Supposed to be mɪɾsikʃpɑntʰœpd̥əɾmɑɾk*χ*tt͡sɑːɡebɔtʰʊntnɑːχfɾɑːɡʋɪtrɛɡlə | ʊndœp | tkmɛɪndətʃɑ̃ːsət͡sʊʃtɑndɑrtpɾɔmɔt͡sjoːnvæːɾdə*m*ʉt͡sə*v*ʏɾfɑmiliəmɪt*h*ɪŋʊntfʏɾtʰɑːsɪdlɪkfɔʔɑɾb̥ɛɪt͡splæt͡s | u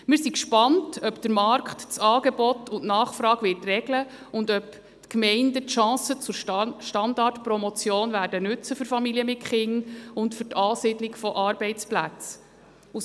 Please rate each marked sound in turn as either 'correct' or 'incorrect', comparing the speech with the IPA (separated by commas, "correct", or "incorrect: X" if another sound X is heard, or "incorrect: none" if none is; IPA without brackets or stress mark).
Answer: correct, incorrect: n, incorrect: f, incorrect: χ